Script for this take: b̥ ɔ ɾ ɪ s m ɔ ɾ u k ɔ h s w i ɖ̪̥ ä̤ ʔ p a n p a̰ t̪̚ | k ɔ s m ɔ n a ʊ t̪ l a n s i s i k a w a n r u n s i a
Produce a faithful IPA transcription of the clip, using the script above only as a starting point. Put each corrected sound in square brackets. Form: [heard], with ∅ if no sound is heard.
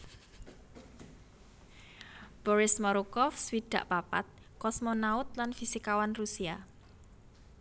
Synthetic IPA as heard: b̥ ɔ ɾ ɪ s m ɔ ɾ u k ɔ [f] s w i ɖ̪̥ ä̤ ʔ p a [∅] p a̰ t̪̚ | k ɔ s m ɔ n a ʊ t̪ l a n [f] i s i k a w a n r u [∅] s i a